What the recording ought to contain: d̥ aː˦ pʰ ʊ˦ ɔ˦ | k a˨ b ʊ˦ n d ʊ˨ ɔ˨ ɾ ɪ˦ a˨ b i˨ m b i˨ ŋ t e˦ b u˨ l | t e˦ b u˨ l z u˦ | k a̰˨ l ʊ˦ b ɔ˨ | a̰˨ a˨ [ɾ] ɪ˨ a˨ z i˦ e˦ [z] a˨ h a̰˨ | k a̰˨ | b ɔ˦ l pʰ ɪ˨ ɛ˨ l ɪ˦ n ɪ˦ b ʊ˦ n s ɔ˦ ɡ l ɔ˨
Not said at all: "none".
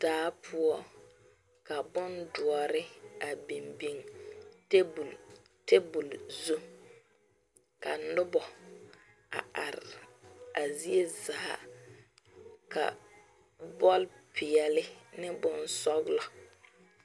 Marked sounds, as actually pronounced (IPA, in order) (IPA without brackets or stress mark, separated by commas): ɾ, z